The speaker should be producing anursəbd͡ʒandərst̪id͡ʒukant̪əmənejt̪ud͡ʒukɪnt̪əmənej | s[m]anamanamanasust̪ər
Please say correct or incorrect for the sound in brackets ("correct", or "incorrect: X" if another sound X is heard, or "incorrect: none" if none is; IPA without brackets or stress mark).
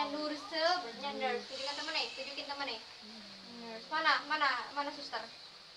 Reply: correct